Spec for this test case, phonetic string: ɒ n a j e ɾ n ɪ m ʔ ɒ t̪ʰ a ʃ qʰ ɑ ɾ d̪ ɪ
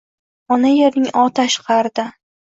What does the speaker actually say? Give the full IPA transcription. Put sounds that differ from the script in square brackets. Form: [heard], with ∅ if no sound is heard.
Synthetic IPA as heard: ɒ n a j e ɾ n ɪ [ŋ] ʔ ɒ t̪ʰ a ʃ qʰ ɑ ɾ d̪ ɪ